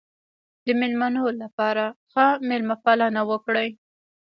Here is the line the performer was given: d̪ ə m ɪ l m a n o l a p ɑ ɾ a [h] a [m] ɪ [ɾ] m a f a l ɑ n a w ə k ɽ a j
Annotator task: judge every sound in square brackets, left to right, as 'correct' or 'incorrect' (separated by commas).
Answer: incorrect, correct, incorrect